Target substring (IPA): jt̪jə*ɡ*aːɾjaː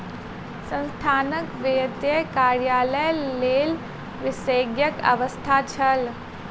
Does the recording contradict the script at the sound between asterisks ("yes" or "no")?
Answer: yes